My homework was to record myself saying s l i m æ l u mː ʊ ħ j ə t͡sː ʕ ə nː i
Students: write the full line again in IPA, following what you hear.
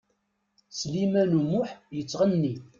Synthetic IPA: s l i m æ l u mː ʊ ħ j ə t͡sː ʁ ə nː i